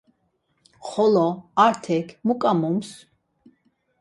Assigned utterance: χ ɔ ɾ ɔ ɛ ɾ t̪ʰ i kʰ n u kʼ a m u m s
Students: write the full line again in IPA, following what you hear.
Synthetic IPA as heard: χ ɔ l ɔ a ɾ t̪ʰ ɛ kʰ m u kʼ a m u m s